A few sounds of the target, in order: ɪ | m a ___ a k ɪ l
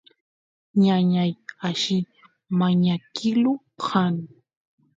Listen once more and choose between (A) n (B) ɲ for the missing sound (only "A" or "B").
B